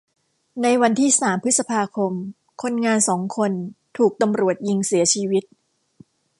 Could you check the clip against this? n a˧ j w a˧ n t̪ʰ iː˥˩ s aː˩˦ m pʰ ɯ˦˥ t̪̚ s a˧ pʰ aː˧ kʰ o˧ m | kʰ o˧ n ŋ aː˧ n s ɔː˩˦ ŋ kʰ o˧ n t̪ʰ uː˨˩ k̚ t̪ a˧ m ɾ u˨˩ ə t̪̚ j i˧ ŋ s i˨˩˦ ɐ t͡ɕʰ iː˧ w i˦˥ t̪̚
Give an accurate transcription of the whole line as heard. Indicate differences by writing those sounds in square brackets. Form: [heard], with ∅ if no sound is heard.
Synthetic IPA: n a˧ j w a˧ n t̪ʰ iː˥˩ s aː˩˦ m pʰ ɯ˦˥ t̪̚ s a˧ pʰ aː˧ kʰ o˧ m | kʰ o˧ n ŋ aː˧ n s ɔː˩˦ ŋ kʰ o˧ n t̪ʰ uː˨˩ k̚ t̪ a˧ m ɾ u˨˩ ə t̪̚ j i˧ ŋ s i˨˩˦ ɐ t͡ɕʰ iː˧ w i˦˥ t̪̚